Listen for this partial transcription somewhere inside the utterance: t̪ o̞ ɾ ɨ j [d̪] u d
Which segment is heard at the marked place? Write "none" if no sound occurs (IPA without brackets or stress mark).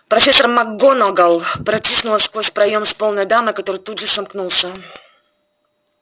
t̪